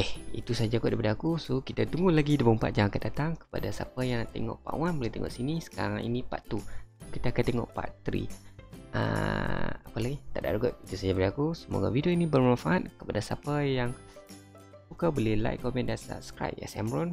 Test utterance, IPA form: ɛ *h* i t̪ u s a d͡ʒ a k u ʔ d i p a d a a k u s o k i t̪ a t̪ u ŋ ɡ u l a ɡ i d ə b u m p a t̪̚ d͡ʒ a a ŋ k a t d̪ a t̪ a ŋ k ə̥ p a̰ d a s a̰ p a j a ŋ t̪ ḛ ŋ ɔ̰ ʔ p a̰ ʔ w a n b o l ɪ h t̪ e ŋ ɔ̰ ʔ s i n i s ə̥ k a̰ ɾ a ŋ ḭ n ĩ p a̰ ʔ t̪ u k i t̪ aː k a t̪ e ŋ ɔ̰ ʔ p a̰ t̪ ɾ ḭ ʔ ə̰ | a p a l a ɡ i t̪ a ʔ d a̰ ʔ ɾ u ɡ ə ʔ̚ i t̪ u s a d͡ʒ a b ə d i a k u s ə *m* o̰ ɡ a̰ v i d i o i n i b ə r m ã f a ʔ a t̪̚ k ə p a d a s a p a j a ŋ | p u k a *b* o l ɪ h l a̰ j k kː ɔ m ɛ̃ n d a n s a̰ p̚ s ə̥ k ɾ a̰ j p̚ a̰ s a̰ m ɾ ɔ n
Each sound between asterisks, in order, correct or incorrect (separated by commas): correct, correct, correct